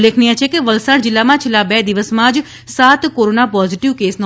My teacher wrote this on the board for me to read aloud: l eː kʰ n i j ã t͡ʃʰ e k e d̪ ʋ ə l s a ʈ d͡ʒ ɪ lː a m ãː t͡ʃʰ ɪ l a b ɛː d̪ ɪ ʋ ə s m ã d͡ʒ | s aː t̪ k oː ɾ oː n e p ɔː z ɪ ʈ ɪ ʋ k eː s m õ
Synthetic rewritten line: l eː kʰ n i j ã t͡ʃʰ e k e ʋ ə l s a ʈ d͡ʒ ɪ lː a m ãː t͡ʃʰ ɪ l a b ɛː d̪ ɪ ʋ ə s m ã d͡ʒ | s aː t̪ k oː ɾ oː n a p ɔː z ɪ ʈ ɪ ʋ k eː s n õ